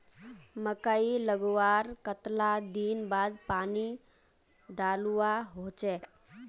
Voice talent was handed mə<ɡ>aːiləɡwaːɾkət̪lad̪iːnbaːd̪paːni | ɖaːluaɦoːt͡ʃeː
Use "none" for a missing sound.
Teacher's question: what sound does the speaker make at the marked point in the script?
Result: k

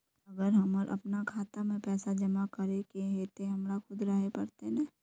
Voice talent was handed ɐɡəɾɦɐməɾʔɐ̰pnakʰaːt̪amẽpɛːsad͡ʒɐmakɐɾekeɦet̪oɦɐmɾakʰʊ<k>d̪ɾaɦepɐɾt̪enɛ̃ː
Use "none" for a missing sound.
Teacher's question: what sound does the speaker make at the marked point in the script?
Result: none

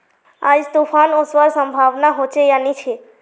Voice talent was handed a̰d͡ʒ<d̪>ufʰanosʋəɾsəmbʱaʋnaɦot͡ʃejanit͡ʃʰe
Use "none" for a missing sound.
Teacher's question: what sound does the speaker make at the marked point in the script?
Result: t̪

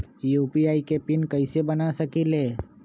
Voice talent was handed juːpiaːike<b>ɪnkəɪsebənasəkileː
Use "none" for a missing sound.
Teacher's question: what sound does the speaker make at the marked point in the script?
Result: p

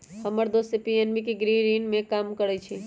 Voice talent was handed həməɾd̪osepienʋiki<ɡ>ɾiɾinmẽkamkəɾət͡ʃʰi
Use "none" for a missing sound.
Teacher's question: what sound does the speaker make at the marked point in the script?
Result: ɡ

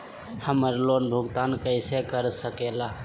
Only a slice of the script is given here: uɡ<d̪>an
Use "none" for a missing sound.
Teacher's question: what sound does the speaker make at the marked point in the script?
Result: t̪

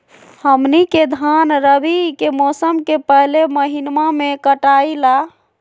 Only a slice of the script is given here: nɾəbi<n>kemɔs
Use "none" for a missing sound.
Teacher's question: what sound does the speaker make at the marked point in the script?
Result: none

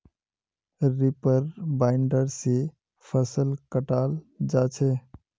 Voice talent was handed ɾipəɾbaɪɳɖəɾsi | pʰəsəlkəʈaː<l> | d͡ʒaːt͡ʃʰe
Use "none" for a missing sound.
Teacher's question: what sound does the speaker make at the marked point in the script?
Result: l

